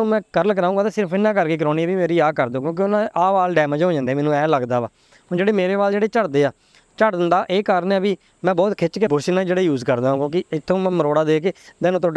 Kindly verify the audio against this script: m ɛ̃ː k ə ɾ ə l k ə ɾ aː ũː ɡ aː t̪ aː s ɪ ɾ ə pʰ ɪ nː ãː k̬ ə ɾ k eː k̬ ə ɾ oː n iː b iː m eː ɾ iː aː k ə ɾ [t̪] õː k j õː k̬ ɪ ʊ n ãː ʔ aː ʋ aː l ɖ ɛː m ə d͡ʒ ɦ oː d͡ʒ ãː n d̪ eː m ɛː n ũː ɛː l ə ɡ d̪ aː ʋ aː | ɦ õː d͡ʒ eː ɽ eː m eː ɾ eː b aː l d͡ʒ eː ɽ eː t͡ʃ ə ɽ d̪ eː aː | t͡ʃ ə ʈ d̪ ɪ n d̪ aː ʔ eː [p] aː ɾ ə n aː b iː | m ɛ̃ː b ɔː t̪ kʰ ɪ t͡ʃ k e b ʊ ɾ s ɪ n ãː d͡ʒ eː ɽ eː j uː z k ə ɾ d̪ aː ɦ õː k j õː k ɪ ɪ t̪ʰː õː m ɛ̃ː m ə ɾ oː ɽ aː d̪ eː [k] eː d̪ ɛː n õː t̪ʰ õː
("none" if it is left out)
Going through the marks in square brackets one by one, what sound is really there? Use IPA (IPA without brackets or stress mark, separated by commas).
d̪, k, k